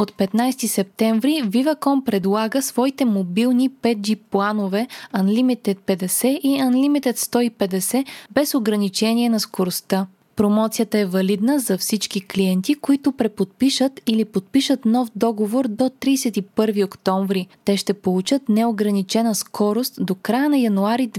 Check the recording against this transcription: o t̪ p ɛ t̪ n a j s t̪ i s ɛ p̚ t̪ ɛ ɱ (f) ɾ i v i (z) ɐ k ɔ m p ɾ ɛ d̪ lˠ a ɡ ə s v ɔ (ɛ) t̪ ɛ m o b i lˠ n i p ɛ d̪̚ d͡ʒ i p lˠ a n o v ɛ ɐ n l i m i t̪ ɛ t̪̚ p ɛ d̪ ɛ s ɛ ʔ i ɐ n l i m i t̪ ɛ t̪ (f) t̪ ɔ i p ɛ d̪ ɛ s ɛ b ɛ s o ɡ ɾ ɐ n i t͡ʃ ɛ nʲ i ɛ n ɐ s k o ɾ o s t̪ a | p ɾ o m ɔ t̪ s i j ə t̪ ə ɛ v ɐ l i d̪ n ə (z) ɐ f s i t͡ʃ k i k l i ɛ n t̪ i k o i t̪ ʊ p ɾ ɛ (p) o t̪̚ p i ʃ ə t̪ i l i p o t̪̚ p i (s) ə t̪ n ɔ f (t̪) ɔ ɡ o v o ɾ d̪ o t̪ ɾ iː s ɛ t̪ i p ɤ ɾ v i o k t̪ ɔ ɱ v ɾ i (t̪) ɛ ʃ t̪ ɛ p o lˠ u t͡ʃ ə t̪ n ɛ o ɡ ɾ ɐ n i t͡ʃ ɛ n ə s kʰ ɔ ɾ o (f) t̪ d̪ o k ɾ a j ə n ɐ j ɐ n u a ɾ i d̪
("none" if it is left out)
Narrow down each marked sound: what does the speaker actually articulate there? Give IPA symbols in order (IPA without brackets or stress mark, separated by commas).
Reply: v, v, i, s, z, p, ʃ, d̪, t̪, s